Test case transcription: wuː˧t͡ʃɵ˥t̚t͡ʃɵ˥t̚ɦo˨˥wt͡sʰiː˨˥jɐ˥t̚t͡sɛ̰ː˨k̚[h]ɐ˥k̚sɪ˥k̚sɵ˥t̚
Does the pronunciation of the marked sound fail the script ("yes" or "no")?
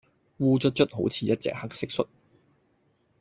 no